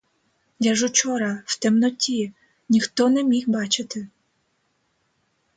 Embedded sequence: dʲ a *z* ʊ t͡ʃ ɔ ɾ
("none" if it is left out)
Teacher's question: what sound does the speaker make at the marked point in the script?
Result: ʒ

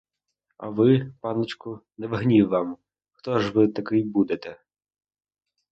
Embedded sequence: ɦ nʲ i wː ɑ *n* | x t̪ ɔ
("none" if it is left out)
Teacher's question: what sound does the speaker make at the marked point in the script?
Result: m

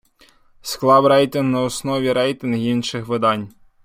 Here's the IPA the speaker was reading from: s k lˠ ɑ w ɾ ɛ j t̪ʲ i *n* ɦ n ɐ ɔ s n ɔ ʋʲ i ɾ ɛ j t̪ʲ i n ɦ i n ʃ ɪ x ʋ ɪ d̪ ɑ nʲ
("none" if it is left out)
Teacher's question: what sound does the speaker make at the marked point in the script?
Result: n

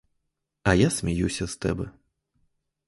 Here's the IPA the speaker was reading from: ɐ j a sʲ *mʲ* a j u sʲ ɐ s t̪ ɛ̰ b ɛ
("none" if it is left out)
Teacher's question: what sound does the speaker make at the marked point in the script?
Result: mʲ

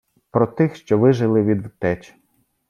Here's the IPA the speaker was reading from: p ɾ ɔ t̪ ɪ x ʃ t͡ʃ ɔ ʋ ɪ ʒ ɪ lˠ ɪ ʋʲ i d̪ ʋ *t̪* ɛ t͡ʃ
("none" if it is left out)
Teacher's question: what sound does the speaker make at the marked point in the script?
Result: t̪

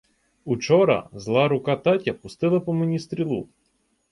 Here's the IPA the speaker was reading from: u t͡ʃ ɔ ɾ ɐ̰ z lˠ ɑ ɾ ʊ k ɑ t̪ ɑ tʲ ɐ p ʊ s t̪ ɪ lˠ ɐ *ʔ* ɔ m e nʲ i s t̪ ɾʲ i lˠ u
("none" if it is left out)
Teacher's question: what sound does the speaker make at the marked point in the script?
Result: p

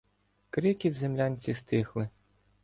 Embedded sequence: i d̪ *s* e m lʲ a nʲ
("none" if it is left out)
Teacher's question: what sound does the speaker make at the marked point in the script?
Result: z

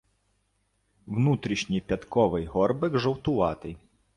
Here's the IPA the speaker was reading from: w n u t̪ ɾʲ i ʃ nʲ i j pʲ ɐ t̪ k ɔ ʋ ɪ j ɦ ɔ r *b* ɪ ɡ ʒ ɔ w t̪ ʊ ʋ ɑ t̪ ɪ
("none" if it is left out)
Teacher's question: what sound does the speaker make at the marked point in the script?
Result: b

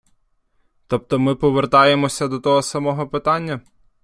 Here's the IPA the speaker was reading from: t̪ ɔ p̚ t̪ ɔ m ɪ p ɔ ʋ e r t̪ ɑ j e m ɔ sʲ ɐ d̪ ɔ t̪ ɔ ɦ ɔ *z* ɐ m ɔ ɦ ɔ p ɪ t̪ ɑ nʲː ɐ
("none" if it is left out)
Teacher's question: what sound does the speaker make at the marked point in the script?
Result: s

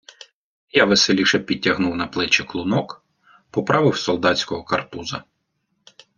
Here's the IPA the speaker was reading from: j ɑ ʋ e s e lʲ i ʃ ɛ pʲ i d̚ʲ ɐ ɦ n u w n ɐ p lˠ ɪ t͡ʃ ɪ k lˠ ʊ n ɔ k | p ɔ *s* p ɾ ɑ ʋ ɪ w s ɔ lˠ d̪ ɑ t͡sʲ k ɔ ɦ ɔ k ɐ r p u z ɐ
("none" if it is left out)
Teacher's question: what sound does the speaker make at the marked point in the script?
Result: none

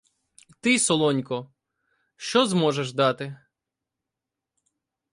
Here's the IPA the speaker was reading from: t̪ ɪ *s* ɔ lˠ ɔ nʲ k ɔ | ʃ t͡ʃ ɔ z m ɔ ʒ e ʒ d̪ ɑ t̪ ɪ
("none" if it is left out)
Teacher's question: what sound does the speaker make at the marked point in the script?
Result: s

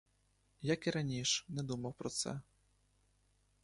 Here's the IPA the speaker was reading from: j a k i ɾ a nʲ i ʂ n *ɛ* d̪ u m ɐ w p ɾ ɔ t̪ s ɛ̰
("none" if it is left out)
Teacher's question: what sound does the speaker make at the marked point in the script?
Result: ɛ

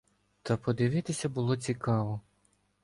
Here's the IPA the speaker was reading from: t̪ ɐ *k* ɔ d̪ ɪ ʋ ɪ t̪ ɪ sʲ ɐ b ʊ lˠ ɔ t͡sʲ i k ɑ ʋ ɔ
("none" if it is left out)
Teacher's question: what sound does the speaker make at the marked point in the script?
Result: p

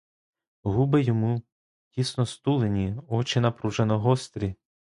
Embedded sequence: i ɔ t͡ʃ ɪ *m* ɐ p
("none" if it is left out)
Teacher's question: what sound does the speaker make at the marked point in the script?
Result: n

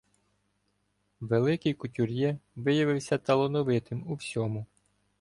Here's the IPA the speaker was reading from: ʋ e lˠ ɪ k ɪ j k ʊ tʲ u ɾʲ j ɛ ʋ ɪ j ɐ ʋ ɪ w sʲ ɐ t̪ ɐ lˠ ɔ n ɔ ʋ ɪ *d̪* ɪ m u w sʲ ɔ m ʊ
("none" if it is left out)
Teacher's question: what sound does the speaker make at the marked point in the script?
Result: t̪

